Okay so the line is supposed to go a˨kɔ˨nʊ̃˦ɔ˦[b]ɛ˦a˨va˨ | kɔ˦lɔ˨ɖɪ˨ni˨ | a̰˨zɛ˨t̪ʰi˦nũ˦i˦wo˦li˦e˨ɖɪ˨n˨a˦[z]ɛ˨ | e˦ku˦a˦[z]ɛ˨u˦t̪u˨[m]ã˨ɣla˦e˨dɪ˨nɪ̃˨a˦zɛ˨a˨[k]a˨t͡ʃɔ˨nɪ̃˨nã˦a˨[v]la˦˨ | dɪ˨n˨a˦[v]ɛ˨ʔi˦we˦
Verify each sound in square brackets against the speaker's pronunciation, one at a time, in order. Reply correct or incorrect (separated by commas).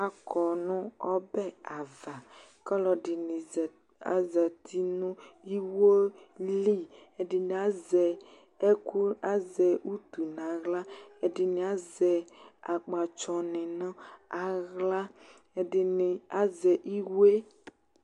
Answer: correct, correct, correct, incorrect, incorrect, incorrect, incorrect